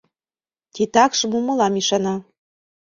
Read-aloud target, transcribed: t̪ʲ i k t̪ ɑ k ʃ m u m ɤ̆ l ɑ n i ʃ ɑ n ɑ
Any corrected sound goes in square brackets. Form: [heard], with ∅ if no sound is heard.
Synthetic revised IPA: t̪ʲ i [∅] t̪ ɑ k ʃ m u m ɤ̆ l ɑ [m] i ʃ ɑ n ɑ